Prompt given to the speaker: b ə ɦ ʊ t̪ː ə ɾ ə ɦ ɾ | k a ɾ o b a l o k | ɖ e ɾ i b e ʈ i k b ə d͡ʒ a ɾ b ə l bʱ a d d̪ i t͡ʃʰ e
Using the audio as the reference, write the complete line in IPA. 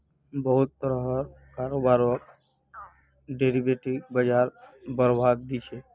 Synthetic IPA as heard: b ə ɦ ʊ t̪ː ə ɾ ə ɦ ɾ | k a ɾ o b a ɾ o k | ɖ e ɾ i b e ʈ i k b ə d͡ʒ a ɾ b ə ɾ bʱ a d d̪ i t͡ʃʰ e